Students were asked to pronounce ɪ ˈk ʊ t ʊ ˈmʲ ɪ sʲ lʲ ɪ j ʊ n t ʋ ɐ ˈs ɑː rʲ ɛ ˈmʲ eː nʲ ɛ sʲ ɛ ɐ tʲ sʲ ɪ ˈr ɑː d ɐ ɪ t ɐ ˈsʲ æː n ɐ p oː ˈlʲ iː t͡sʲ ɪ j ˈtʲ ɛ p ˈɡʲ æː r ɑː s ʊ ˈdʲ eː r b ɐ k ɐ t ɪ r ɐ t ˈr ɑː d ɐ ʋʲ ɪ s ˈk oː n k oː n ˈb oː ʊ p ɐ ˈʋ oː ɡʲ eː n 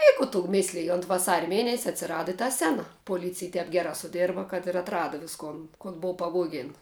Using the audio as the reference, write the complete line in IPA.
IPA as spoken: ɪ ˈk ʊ t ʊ ˈmʲ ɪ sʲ lʲ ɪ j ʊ n t ʋ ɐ ˈs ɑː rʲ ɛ ˈmʲ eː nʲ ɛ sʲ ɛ ɐ tʲ sʲ ɪ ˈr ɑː d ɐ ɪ t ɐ ˈsʲ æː n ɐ p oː ˈlʲ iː t͡sʲ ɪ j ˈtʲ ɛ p ˈɡʲ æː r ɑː s ʊ ˈdʲ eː r b ɐ k ɐ t ɪ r ɐ t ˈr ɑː d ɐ ʋʲ ɪ s ˈk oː n k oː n ˈb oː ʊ p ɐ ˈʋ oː ɡʲ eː n